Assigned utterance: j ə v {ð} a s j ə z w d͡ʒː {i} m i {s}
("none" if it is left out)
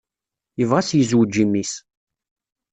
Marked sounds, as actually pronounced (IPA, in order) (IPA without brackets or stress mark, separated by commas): ʁ, i, s